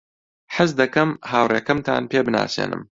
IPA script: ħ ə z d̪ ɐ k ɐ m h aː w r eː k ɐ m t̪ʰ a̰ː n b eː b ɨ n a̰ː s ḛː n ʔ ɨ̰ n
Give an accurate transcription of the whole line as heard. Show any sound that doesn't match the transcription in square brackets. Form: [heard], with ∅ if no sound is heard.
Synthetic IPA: ħ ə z d̪ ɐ k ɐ m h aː w r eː k ɐ m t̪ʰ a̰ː n [p] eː b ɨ n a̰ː s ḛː n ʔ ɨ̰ [m]